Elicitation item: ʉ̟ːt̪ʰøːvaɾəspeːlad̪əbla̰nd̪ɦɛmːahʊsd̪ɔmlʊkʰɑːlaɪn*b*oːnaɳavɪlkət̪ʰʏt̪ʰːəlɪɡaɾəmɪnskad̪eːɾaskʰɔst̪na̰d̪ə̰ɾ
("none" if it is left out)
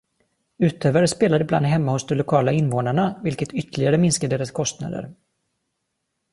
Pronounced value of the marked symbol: v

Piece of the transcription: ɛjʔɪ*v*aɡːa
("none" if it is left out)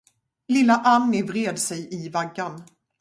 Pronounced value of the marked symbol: v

